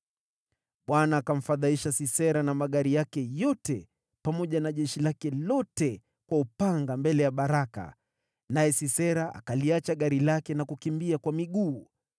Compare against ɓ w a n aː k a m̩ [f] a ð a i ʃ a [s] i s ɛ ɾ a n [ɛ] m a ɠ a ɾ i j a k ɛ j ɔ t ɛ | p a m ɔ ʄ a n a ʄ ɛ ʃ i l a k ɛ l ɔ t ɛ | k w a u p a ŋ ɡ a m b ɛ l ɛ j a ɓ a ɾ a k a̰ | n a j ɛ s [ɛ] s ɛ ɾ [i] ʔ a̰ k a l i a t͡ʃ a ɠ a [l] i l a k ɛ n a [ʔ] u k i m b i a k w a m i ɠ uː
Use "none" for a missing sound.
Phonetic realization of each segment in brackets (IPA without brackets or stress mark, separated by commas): f, s, a, i, a, ɾ, k